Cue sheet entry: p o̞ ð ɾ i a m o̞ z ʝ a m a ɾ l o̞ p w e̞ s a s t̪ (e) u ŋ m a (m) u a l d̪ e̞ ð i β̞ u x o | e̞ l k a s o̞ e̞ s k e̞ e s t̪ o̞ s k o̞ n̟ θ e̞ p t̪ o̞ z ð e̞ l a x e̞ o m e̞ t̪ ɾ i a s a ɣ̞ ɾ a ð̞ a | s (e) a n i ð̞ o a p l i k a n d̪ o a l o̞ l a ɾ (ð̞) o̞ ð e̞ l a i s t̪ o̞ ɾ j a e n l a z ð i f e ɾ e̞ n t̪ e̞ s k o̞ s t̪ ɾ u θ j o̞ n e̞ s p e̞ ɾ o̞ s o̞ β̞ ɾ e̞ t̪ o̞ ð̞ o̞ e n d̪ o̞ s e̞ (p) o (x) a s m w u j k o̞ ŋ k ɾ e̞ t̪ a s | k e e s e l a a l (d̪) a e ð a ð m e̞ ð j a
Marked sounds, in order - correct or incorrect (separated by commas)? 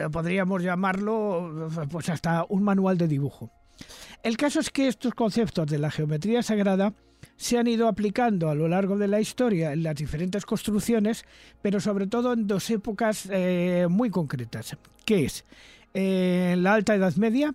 incorrect, incorrect, correct, incorrect, correct, incorrect, incorrect